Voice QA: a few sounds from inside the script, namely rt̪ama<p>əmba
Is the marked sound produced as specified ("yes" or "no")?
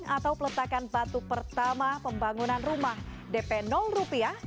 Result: yes